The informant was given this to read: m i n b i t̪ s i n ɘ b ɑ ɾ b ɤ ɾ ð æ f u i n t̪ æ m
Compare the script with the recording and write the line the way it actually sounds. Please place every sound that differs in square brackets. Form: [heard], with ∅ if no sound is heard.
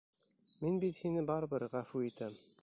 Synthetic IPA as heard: m i n b i t̪ [h] i n ɘ b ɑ ɾ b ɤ ɾ [ʁ] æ f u i [∅] t̪ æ m